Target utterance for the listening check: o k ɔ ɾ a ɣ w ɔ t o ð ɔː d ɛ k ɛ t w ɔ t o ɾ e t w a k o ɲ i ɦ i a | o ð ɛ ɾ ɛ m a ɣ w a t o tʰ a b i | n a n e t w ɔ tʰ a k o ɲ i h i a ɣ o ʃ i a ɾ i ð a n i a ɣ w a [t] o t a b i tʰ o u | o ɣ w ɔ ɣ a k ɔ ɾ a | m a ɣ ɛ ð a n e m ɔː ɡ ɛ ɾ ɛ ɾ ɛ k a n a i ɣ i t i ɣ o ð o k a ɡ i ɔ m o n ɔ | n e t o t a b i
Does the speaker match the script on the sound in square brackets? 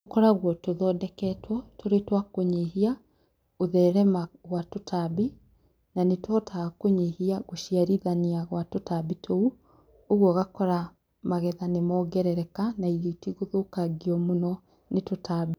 yes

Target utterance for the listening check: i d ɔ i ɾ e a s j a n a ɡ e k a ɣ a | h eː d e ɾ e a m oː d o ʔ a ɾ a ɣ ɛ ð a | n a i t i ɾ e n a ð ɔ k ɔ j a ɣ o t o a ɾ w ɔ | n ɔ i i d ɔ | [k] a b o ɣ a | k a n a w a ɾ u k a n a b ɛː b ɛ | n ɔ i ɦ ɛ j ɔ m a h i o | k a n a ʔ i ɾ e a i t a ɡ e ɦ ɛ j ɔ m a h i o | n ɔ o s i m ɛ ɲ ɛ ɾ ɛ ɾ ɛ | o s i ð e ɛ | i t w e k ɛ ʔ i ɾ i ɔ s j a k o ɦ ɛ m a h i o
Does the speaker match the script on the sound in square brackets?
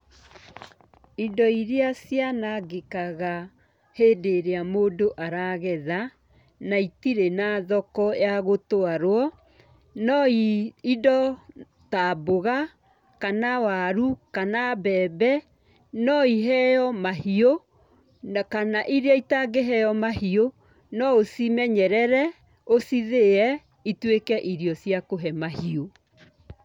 no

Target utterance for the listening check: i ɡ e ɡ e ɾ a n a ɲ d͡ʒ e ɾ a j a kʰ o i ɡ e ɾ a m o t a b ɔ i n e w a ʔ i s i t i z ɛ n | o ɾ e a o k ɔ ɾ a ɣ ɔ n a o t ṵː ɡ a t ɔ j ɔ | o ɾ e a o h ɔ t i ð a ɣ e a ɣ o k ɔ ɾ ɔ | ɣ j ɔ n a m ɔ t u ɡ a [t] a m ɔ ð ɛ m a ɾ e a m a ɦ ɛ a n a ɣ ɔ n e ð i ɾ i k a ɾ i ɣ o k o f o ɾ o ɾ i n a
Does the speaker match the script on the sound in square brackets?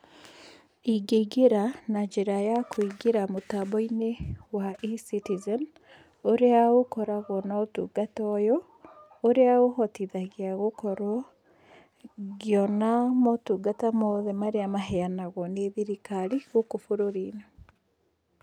yes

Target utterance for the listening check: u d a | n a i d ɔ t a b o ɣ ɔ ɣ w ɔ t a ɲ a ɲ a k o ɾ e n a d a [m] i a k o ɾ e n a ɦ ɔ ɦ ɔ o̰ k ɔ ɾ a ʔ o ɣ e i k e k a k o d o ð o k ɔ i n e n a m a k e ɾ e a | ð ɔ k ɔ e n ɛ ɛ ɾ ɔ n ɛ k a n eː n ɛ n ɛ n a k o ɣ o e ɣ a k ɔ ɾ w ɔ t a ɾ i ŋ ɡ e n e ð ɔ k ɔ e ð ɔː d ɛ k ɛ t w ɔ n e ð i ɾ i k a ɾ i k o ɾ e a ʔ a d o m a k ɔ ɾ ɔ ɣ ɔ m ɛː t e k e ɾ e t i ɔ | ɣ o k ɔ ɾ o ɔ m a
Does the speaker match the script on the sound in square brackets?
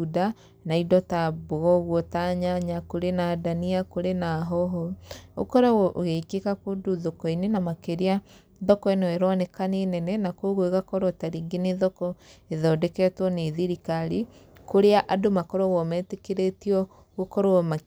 no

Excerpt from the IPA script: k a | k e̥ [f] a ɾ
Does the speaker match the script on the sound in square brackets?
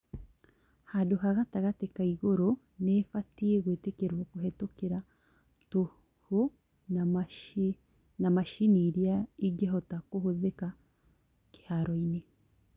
no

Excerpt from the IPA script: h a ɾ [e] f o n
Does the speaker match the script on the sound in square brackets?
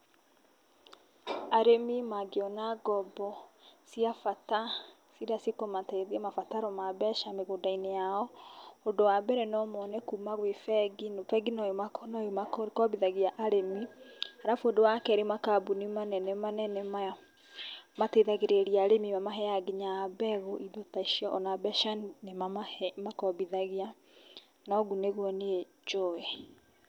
no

